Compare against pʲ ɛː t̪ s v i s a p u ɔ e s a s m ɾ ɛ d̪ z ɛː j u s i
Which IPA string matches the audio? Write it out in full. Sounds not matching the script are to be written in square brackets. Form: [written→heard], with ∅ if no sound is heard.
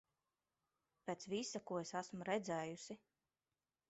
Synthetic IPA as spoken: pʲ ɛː t̪ s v i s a [p→k] u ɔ e s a s m ɾ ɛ d̪ z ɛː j u s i